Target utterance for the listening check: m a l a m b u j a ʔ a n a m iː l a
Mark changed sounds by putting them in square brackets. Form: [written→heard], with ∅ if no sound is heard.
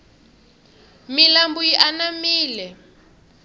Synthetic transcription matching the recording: m [a→i] l a m b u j [a→i] ʔ a n a m iː l [a→ɛ]